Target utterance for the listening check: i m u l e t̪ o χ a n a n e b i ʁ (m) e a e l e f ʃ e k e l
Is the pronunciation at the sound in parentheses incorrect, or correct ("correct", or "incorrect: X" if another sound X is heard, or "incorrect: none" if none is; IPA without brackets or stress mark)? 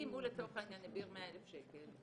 correct